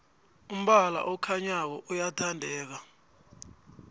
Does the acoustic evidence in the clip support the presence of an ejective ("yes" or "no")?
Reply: no